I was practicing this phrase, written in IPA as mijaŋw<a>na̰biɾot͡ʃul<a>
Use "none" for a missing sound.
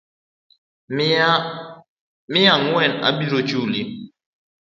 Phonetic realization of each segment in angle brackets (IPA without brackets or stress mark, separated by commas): ɛ, i